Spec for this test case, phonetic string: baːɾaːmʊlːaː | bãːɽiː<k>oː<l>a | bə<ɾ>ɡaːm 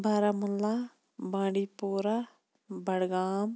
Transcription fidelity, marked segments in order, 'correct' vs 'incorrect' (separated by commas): incorrect, incorrect, incorrect